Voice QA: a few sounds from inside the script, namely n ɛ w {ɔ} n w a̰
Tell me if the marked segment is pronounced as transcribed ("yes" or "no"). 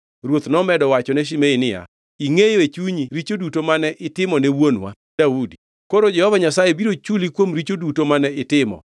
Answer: no